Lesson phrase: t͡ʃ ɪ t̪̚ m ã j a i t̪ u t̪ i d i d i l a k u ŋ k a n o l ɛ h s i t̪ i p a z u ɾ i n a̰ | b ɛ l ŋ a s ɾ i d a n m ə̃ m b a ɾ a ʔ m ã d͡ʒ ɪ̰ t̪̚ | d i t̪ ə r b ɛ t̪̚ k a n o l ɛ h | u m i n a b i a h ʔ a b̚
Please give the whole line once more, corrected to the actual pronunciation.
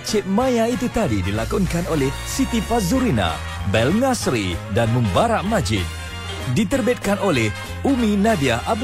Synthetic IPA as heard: t͡ʃ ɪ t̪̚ m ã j a i t̪ u t̪ a d i d i l a k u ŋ k a n o l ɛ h s i t̪ i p a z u ɾ i n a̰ | b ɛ l ŋ a s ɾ i d a n m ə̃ m b a ɾ a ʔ m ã d͡ʒ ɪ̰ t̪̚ | d i t̪ ə r b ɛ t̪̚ k a n o l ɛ h | u m i n a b i a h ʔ a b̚